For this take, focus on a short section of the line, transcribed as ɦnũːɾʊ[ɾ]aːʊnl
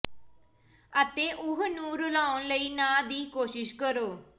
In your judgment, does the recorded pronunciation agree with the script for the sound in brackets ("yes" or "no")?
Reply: no